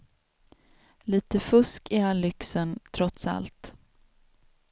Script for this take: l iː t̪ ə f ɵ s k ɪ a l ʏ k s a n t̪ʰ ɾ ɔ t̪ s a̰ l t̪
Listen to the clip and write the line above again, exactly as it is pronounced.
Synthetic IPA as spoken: l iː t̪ ə f ɵ s k ɪ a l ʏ k s ə n t̪ʰ ɾ ɔ t̪ s a̰ l t̪